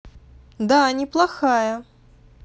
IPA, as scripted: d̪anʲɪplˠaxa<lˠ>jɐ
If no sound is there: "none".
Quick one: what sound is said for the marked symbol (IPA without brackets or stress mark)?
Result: none